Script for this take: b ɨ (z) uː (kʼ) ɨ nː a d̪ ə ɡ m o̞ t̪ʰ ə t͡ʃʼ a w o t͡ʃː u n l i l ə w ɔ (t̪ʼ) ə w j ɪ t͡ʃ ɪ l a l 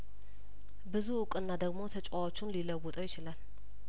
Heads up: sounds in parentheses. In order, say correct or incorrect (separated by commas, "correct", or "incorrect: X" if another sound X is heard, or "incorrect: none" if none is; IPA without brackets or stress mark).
correct, correct, correct